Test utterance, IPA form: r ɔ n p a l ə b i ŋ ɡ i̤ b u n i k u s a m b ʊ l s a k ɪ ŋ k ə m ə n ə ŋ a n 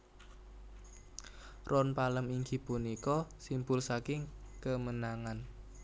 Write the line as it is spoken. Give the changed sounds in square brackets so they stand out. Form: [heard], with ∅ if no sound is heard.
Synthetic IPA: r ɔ n p a l ə [m] i ŋ ɡ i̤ [p] u n i k [ɔ] s [i] m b ʊ l s a k ɪ ŋ k ə m ə n [a] ŋ a n